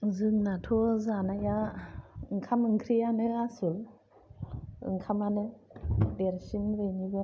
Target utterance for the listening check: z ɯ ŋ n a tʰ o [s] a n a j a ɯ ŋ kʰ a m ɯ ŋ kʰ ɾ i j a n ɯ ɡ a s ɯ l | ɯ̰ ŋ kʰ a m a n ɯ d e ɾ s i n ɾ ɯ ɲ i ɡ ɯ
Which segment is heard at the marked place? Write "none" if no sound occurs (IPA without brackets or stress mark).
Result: z